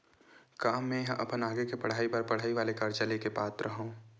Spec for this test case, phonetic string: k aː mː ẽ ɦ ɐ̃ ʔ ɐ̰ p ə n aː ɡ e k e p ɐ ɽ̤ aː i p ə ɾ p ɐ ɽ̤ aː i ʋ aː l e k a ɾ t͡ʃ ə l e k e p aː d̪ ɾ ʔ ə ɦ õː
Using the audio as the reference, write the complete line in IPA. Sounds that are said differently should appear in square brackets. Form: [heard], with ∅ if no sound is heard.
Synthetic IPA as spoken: k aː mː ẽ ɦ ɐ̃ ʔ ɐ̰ p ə n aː ɡ e k e p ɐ ɽ̤ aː i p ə ɾ p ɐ ɽ̤ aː i ʋ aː l e k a ɾ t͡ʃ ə l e k e p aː [t̪] ɾ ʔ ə ɦ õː